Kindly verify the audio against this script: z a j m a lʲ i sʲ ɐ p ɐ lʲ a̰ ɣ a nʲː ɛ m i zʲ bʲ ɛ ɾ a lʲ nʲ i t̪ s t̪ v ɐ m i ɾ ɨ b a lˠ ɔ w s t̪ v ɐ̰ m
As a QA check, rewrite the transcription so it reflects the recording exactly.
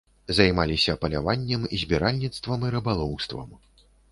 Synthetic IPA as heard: z a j m a lʲ i sʲ ɐ p ɐ lʲ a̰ v a nʲː ɛ m i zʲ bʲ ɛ ɾ a lʲ nʲ i t̪ s t̪ v ɐ m i ɾ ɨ b a lˠ ɔ w s t̪ v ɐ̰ m

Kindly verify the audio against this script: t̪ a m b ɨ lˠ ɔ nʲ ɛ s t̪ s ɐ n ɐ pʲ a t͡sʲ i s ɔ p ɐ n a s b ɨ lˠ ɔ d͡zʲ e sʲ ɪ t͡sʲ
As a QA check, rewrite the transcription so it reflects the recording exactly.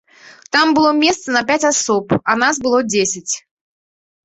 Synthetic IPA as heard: t̪ a m b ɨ lˠ ɔ mʲ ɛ s t̪ s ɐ n ɐ pʲ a t͡sʲ a s ɔ p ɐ n a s b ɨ lˠ ɔ d͡zʲ e sʲ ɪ t͡sʲ

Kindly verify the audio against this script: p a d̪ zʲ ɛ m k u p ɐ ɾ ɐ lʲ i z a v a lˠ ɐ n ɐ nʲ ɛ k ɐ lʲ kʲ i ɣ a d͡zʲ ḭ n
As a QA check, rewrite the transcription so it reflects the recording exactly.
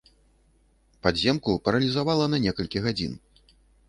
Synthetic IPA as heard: p a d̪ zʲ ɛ m k u p ɐ ɾ ɐ lʲ i z a v a lˠ ɐ n ɐ nʲ ɛ k ɐ lʲ kʲ i ɣ a d͡zʲ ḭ n

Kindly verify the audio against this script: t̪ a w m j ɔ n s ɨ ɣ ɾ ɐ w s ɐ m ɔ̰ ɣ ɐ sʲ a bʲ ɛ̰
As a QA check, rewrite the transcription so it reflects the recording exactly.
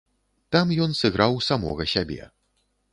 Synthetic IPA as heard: t̪ a m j ɔ n s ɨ ɣ ɾ a w s a m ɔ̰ ɣ ɐ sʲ a bʲ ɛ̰

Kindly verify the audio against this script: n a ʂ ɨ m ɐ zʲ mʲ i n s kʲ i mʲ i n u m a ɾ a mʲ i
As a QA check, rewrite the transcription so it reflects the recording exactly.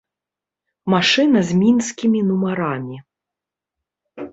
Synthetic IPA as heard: m a ʂ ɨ n ɐ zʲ mʲ i n s kʲ i mʲ i n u m a ɾ a mʲ i

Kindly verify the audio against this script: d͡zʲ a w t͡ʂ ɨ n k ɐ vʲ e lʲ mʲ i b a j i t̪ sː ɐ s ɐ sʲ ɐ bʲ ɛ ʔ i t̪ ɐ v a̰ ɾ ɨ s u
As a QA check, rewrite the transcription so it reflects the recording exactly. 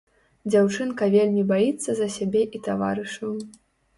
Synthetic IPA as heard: d͡zʲ a w t͡ʂ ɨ n k ɐ vʲ e lʲ mʲ i b a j i t̪ sː ɐ z ɐ sʲ a bʲ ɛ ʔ i t̪ a v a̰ ɾ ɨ ʂ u

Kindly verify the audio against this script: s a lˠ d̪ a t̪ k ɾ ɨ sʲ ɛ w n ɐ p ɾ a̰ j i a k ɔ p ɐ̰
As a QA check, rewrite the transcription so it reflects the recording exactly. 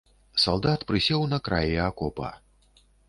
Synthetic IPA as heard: s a lˠ d̪ a t̪ p ɾ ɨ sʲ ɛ w n ɐ k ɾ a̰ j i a k ɔ p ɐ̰

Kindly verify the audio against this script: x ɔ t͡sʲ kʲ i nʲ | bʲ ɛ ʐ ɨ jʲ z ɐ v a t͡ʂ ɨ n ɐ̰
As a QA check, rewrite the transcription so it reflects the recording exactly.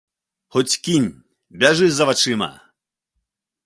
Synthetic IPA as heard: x ɔ t͡sʲ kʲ i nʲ | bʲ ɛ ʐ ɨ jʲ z ɐ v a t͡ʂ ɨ m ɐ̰

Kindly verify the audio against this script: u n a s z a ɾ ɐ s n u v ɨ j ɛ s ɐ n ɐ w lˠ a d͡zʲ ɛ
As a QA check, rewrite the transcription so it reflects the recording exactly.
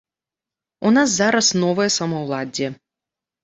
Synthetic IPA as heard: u n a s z a ɾ ɐ s n ɔ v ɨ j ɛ s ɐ m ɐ w lˠ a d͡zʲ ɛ

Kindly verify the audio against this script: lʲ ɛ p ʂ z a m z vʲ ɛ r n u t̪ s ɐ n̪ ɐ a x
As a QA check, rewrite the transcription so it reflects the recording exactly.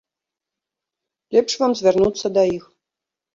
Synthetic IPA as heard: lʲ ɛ p ʂ v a m z vʲ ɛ r n u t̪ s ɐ d̪ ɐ i x

